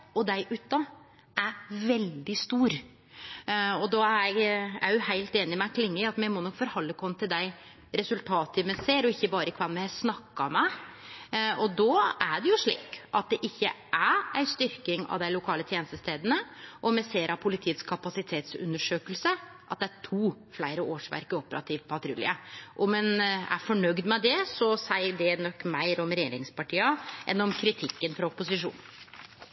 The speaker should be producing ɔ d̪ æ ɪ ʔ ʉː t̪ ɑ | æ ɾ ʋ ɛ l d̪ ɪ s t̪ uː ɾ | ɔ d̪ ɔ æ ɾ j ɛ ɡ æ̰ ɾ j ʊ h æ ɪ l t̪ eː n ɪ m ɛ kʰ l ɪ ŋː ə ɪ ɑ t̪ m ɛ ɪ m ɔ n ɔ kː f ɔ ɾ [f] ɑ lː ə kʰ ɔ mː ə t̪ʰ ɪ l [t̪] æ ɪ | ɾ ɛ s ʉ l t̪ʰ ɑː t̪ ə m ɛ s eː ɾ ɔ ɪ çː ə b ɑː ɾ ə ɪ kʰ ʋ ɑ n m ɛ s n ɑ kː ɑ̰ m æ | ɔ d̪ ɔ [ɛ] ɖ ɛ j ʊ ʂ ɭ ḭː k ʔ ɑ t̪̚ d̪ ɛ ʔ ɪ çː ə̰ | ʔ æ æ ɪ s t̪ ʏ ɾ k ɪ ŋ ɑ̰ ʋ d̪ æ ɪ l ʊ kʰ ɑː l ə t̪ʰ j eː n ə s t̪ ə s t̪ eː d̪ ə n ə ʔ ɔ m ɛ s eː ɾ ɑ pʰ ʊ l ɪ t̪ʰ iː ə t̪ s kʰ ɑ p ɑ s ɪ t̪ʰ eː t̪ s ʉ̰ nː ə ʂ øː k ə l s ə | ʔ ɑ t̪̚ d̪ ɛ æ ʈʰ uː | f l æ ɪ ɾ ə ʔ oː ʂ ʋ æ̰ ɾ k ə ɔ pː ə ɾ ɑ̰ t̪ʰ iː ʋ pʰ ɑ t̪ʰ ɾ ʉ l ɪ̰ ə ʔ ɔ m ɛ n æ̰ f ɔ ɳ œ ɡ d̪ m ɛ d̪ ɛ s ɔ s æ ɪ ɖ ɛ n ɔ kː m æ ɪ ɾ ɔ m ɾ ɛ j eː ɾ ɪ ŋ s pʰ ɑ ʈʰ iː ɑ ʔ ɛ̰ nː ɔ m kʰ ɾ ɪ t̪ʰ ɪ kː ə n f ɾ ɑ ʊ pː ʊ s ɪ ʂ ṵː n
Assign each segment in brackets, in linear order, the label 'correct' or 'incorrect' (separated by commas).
incorrect, incorrect, incorrect